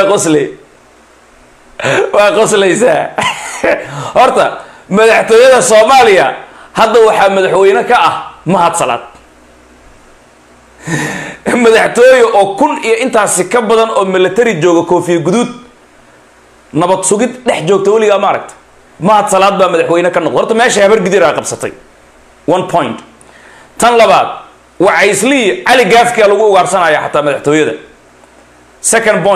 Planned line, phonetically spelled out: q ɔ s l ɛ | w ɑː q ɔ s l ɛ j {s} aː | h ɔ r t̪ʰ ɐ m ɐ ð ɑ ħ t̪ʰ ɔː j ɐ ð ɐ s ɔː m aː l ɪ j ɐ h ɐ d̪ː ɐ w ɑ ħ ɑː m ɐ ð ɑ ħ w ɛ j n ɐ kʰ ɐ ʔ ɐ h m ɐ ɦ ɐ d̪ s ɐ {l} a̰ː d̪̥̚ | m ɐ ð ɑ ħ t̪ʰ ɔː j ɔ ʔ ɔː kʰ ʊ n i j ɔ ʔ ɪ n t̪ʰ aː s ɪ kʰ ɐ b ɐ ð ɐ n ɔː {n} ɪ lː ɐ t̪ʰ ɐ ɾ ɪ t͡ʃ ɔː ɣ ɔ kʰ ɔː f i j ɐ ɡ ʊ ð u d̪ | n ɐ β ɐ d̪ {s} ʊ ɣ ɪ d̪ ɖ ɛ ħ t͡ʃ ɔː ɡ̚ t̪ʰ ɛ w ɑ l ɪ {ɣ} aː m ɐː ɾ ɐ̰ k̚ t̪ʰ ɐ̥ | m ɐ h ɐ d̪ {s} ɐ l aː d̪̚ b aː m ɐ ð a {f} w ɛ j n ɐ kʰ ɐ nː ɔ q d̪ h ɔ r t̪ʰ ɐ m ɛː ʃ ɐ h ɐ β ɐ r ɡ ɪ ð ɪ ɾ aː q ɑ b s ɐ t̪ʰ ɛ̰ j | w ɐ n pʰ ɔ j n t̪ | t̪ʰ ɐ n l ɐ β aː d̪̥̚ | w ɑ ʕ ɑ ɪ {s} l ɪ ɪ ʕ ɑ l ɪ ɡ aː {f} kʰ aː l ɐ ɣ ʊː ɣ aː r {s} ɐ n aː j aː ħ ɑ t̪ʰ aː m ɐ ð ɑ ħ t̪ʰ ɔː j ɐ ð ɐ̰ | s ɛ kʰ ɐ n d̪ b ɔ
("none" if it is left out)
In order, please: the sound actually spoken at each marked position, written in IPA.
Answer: s, l, m, s, ɣ, s, ħ, s, f, s

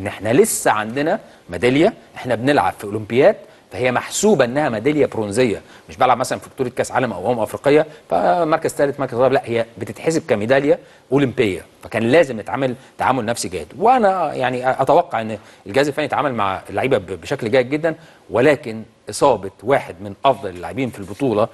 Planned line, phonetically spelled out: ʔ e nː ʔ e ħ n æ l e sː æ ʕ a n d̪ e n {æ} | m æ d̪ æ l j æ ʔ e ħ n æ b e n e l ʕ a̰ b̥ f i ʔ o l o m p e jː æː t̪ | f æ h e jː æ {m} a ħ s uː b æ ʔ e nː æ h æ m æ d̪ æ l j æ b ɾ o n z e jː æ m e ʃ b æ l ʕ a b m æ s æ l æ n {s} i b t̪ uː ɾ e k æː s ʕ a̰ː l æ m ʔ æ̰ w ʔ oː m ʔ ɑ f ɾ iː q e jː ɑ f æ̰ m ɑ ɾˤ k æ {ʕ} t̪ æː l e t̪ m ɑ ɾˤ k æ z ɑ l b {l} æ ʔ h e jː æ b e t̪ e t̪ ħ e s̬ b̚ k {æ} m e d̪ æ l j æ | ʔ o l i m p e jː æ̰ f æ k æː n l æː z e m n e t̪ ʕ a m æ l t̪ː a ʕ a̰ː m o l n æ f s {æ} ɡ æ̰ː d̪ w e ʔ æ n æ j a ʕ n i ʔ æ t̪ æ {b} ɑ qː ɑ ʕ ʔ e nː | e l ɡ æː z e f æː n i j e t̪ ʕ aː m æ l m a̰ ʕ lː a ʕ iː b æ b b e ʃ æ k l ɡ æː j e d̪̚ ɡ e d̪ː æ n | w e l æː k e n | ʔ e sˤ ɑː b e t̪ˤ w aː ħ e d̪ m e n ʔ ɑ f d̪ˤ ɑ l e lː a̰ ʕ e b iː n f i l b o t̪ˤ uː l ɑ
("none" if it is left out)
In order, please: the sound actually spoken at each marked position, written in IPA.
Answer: æ, m, f, z, l, æ, i, w

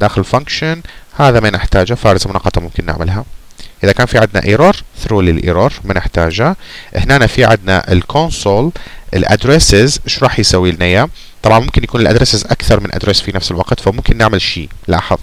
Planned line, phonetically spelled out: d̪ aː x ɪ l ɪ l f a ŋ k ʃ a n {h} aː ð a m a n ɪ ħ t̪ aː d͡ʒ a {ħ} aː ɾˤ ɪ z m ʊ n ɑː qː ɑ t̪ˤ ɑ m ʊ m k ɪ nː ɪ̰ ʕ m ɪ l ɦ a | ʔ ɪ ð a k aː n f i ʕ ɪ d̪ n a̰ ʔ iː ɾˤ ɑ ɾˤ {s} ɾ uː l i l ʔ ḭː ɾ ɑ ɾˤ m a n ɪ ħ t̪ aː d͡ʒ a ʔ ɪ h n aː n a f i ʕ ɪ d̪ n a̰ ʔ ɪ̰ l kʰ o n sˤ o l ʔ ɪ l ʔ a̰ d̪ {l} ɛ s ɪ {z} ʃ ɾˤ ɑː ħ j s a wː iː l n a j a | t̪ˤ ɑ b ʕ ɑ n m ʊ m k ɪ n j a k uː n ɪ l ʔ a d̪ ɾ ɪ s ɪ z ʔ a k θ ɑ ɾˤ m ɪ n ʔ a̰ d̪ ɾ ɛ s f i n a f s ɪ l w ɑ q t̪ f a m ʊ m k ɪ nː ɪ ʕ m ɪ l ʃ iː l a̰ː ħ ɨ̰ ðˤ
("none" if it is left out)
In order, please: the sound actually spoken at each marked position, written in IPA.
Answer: h, f, θ, ɾ, z

